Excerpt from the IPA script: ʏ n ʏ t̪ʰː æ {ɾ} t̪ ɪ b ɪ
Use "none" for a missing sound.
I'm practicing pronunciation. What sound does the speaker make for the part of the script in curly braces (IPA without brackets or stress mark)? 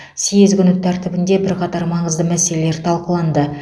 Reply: ɾ